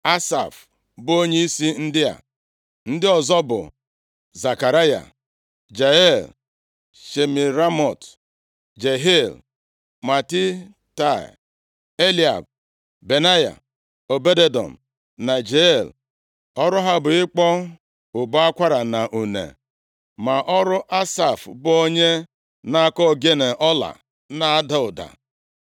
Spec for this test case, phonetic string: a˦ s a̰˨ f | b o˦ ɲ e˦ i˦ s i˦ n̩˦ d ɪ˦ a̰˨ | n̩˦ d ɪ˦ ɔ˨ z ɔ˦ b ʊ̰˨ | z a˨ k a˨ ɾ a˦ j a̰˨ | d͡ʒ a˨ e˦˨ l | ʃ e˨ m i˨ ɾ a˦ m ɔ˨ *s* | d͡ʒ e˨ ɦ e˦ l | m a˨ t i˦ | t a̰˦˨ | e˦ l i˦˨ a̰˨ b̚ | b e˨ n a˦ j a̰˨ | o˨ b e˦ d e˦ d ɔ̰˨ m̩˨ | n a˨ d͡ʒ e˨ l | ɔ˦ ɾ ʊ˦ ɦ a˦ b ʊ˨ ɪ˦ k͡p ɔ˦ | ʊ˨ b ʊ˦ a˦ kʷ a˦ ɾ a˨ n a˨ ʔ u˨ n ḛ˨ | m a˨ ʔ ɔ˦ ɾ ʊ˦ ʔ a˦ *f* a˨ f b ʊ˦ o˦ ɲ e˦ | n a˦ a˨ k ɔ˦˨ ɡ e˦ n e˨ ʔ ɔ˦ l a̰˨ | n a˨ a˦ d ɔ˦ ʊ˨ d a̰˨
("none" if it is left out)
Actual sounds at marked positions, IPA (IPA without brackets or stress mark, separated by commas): t, s